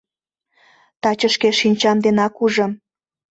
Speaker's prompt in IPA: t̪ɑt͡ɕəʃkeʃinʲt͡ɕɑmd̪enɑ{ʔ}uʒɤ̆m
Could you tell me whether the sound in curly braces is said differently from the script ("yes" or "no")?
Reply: yes